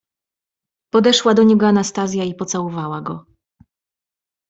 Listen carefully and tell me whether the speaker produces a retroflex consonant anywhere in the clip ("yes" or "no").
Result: yes